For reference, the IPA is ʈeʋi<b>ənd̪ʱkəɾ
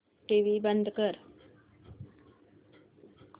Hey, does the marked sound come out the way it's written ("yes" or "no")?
yes